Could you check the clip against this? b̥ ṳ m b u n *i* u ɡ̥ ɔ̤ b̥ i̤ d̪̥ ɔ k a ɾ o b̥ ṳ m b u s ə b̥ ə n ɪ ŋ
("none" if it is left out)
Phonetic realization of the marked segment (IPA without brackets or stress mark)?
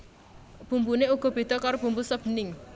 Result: e